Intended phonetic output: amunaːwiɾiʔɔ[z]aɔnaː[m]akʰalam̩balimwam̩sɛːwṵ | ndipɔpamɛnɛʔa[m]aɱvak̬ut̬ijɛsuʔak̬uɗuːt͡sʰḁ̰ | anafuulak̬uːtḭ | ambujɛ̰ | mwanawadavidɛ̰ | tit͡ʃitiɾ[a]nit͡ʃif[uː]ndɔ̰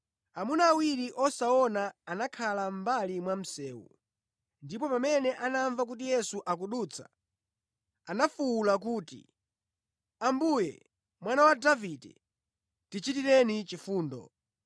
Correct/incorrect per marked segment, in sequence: incorrect, incorrect, incorrect, incorrect, correct

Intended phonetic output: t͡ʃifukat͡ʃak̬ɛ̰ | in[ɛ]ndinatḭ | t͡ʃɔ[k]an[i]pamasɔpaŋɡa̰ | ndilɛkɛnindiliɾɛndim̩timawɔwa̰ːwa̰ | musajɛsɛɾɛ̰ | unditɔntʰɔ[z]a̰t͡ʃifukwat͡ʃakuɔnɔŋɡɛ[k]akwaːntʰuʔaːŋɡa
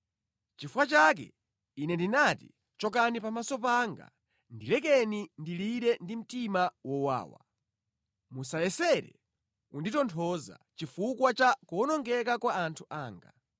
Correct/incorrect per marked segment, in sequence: correct, correct, correct, correct, correct

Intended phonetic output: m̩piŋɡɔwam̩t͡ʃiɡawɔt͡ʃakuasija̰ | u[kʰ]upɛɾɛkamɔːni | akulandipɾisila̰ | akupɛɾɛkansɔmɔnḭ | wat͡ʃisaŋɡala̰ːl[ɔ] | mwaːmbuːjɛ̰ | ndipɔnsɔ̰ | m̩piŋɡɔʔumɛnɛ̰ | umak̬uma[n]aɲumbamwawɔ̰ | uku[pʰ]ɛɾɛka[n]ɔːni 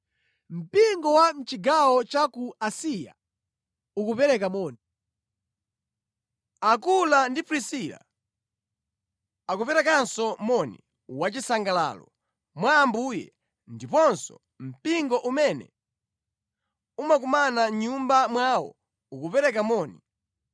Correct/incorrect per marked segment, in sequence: incorrect, correct, correct, incorrect, incorrect

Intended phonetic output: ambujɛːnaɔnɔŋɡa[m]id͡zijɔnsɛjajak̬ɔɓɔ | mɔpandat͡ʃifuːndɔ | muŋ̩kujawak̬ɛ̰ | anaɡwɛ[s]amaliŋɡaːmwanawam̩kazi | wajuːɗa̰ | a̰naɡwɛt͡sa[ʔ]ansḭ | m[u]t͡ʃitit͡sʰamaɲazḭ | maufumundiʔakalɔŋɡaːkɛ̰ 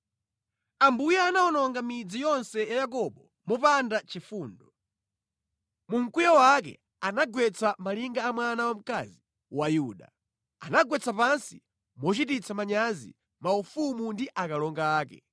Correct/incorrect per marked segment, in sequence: correct, incorrect, incorrect, incorrect

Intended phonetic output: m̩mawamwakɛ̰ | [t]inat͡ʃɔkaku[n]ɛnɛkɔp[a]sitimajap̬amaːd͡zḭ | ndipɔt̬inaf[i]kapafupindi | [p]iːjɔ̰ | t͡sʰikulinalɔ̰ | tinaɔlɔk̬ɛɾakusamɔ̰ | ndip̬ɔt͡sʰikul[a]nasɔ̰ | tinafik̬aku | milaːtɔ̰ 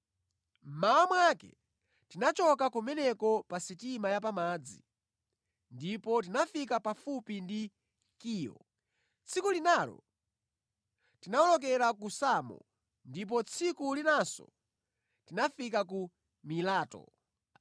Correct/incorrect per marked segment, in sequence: correct, incorrect, correct, correct, incorrect, incorrect

